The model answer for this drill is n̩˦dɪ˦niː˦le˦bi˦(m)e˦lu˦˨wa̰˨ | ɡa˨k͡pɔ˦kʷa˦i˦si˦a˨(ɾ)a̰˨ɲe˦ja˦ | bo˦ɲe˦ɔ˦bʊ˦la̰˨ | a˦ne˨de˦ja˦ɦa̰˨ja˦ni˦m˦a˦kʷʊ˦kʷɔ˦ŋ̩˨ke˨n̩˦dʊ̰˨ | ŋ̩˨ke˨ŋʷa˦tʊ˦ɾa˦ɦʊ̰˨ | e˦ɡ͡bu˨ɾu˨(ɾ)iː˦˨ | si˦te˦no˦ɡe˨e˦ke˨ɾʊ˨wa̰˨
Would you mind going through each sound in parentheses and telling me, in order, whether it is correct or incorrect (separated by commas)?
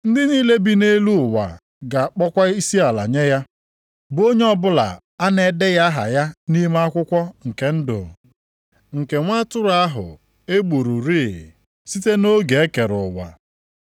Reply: incorrect, incorrect, correct